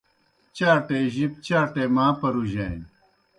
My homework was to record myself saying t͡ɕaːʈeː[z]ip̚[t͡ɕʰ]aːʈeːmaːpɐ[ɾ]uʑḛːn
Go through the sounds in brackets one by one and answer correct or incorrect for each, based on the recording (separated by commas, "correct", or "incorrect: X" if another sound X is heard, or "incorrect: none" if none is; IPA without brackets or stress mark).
incorrect: ʑ, incorrect: t͡ɕ, correct